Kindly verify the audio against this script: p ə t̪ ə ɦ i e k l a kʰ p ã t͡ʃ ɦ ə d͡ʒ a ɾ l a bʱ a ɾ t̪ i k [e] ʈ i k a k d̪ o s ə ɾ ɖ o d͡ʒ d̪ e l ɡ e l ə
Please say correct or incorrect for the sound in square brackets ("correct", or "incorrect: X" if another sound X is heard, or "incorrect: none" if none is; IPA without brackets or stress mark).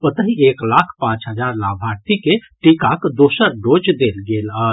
correct